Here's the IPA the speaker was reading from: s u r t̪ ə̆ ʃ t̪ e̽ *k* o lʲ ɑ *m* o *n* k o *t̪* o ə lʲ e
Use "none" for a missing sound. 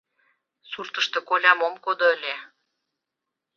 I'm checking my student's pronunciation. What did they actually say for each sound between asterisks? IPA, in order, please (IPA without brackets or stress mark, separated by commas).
k, m, m, d̪